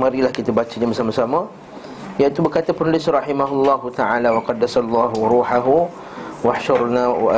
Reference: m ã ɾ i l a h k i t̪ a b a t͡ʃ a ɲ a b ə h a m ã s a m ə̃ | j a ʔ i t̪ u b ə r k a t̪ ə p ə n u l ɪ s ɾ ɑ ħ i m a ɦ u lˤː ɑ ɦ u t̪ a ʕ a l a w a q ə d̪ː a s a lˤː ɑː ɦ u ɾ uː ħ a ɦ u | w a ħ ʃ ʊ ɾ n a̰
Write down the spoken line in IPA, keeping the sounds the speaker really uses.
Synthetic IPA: m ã ɾ i l a h k i t̪ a b a t͡ʃ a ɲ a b ə s a m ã s a m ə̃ | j a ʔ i t̪ u b ə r k a t̪ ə p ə n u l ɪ s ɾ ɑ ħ i m a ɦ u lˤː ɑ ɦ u t̪ a ʕ a l a w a q ɑ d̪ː a s a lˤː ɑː ɦ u ɾ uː ħ a ɦ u | w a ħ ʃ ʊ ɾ n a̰